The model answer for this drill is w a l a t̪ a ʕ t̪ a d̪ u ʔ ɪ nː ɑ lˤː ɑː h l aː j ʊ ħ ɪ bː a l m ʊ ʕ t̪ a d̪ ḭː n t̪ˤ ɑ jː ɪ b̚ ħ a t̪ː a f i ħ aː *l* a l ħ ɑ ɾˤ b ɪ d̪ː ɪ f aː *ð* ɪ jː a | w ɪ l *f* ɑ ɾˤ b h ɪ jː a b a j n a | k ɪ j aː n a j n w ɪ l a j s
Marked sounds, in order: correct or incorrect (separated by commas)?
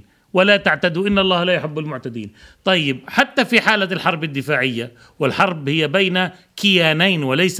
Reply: correct, incorrect, incorrect